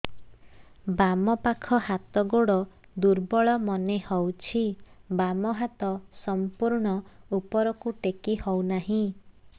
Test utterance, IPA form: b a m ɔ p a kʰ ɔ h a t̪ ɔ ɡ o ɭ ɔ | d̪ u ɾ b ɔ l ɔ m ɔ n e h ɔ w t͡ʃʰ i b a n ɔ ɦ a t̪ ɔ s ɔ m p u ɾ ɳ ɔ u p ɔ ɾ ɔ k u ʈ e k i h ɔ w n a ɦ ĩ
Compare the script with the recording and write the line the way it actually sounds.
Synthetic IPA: b a m ɔ p a kʰ ɔ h a t̪ ɔ ɡ o ɽ ɔ | d̪ u ɾ b ɔ ɭ ɔ m ɔ n e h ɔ w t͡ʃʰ i b a m ɔ ɦ a t̪ ɔ s ɔ m p u ɾ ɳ ɔ u p ɔ ɾ ɔ k u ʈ e k i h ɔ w n a ɦ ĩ